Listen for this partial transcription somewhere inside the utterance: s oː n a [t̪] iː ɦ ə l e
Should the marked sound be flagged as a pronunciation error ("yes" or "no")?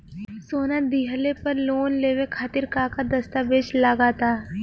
yes